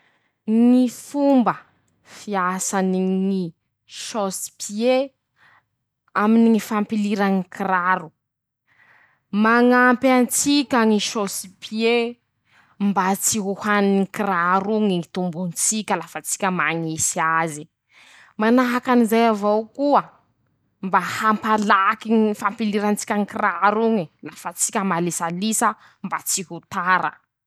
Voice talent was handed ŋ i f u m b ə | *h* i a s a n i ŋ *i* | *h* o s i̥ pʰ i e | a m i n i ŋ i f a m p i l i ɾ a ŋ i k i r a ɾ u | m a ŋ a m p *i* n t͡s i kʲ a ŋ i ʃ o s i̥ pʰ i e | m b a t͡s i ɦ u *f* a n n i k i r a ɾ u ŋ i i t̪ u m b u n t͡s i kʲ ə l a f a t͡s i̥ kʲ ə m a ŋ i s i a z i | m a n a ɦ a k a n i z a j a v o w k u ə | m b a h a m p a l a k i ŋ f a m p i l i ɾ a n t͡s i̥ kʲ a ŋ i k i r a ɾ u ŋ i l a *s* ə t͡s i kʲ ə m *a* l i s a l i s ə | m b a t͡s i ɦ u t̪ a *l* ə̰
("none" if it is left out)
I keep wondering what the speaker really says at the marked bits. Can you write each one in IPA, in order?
f, i, ʃ, a, h, f, a, ɾ

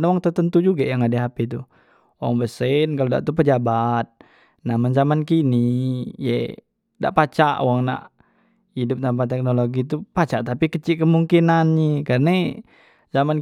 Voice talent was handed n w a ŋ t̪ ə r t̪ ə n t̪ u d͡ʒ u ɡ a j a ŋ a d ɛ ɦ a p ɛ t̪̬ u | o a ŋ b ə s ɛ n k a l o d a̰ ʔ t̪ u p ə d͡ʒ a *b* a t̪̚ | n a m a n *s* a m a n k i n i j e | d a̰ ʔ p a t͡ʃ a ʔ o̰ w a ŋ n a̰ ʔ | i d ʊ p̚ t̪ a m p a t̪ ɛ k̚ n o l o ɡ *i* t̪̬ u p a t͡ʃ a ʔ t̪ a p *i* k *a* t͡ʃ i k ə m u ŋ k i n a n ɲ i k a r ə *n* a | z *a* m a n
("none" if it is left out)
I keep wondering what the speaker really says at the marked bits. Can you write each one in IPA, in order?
b, z, i, i, ə, n, a

